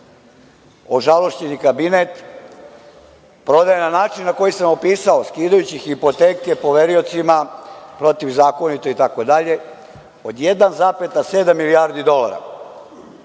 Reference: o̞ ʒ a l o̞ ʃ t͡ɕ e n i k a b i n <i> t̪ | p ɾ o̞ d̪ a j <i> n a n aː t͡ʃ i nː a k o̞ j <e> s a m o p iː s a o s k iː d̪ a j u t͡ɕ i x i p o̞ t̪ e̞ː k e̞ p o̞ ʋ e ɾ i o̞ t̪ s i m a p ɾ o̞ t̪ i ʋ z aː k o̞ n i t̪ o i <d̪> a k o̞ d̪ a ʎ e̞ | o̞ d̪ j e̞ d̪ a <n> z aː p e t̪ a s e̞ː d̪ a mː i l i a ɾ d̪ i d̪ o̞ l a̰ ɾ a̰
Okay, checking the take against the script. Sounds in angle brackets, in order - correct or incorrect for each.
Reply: incorrect, incorrect, incorrect, incorrect, correct

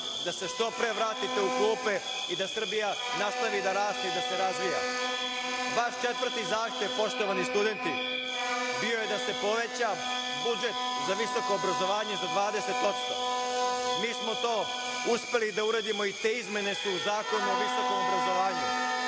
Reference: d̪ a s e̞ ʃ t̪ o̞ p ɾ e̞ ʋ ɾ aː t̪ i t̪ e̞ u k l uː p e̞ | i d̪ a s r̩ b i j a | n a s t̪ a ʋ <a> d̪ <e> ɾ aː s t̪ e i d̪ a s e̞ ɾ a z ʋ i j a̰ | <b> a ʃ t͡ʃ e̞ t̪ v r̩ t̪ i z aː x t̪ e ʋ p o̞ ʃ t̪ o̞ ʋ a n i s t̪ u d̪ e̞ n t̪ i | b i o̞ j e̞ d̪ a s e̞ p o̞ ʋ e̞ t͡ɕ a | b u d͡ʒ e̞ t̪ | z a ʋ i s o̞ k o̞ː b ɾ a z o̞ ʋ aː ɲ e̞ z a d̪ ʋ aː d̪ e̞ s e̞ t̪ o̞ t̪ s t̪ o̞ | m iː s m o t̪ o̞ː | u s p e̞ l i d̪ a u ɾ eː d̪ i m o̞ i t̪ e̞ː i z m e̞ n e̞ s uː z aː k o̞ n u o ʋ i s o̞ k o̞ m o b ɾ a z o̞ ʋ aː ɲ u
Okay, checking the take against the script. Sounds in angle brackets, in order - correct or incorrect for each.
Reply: incorrect, incorrect, correct

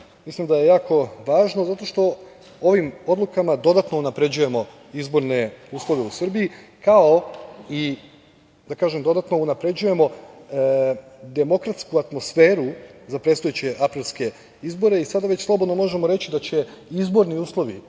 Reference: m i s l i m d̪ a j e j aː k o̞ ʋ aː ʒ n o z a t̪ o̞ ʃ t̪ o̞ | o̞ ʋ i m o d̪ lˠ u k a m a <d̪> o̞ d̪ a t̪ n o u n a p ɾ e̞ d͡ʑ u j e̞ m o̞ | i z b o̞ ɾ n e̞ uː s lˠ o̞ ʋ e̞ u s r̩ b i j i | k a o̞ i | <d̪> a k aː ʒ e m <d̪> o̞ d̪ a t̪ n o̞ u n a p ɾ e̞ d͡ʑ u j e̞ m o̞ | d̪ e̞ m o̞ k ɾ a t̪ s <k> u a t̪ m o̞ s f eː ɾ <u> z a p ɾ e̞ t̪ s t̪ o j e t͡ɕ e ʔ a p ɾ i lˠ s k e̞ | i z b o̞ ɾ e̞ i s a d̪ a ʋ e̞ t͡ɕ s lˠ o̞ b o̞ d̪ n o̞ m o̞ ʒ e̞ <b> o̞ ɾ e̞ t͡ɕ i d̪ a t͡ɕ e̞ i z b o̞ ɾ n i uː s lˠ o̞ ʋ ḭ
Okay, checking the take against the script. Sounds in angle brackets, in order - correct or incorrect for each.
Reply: correct, correct, correct, correct, correct, incorrect

